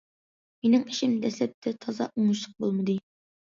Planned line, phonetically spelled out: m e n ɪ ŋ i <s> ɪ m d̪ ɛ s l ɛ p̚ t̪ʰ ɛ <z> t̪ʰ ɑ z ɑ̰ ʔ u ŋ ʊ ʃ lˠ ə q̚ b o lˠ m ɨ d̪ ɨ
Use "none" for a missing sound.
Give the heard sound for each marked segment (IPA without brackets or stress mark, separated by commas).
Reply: ʃ, none